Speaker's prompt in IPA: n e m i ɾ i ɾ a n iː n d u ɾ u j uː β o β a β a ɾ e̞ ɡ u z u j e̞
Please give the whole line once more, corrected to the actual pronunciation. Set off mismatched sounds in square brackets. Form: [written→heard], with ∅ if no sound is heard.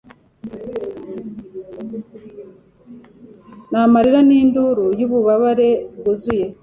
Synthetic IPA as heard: n [e→a] m [i→a] ɾ i ɾ a n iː n d u ɾ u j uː β [o→u] β a β a ɾ e̞ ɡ u z u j e̞